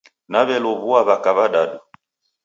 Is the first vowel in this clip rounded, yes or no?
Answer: no